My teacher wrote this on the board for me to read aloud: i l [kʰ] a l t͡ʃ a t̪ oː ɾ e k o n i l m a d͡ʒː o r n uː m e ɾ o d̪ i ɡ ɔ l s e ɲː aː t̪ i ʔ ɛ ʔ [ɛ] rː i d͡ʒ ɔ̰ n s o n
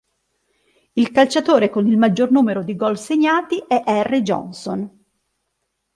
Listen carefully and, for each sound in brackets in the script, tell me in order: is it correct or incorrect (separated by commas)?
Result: incorrect, correct